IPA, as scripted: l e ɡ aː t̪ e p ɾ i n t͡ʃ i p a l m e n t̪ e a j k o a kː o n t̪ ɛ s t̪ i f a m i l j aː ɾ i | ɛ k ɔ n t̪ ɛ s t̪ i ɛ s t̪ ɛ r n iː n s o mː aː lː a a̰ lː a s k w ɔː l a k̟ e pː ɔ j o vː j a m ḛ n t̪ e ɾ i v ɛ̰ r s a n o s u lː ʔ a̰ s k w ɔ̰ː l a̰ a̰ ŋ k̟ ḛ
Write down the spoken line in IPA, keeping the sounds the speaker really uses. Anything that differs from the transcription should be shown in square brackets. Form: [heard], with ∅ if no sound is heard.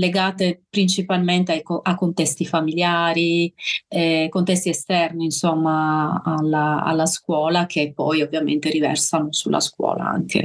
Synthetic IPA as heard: l e ɡ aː t̪ e p ɾ i n t͡ʃ i p a l m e n t̪ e a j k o a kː o n t̪ ɛ s t̪ i f a m i l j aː ɾ i | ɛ k [o] n t̪ ɛ s t̪ i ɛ s t̪ ɛ r n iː n s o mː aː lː a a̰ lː a s k w ɔː l a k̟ e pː ɔ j o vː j a m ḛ n t̪ e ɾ i v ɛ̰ r s a n o s u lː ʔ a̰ s k w ɔ̰ː l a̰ a̰ ŋ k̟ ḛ